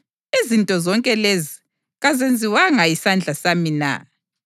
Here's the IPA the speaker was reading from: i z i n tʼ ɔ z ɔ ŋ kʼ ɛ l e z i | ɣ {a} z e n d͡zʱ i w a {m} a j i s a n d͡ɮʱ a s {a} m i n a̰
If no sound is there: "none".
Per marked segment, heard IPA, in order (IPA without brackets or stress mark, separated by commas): a, ŋ, a